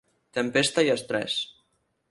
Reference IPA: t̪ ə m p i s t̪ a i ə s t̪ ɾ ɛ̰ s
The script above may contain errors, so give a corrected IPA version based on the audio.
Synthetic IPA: t̪ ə m p e s t̪ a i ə s t̪ ɾ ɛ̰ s

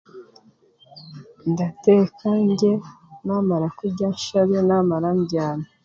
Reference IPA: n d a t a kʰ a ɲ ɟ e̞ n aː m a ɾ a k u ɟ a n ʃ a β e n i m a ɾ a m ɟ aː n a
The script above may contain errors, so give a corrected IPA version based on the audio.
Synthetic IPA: n d a t e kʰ a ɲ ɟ e̞ n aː m a ɾ a k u ɟ a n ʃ a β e n a m a ɾ a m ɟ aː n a

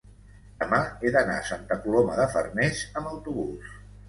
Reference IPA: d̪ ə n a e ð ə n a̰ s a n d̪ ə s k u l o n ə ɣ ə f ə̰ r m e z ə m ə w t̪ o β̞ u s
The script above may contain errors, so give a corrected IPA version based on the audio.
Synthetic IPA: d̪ ə m a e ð ə n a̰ s a n t̪ ə k u l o m ə ð ə f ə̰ r n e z ə m ə w t̪ u β̞ u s

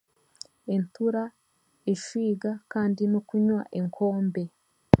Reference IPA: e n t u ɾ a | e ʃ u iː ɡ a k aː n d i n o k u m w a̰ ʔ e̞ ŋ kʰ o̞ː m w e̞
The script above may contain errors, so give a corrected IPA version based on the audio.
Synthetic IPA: e n t u ɾ a | e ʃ w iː ɡ a k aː n d i n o k u ɲ w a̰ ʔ e̞ ŋ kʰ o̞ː m b e̞

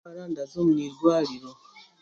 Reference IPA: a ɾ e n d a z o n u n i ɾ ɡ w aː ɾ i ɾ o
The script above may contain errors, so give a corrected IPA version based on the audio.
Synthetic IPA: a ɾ a n d a z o m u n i ɾ ɡ w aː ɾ i ɾ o

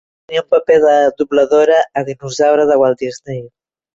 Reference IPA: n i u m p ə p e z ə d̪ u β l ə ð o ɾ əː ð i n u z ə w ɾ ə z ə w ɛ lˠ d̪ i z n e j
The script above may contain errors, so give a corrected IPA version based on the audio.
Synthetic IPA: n i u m p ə p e ð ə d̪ u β l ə ð o ɾ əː ð i n u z a w ɾ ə ð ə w a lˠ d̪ i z n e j

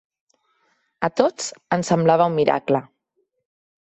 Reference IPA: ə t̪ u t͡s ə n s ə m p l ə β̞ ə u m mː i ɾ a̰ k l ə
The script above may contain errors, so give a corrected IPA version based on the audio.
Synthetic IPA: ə t̪ o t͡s ə n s ə m b l a β̞ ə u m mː i ɾ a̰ k l ə

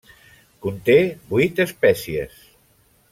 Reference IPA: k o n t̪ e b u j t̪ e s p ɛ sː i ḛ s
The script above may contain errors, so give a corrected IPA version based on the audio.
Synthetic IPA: k u n t̪ e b u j t̪ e s p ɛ s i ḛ s

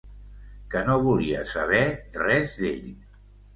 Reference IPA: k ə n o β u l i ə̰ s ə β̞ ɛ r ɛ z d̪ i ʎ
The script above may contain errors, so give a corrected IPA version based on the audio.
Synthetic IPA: k ə n o β u l i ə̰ s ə β̞ ɛ r ɛ z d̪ e ʎ

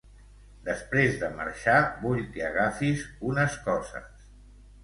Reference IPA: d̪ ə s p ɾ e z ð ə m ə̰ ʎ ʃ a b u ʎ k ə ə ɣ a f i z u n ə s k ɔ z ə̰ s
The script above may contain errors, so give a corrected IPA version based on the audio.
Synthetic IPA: d̪ ə s p ɾ e z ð ə m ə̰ ɾ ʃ a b u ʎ k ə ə ɣ a f i z u n ə s k ɔ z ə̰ s

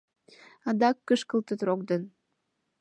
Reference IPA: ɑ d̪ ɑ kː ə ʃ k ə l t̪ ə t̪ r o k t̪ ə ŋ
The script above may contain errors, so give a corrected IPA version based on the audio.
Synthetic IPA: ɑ d̪ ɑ kː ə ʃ k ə l t̪ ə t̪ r o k d̪ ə n

